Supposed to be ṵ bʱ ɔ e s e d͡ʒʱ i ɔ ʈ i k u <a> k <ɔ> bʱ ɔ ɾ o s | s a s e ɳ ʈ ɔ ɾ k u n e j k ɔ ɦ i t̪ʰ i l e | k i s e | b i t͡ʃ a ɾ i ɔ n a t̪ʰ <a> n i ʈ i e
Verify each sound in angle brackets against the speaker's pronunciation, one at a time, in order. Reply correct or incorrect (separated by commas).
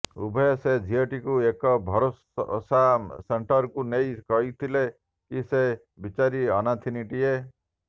incorrect, correct, incorrect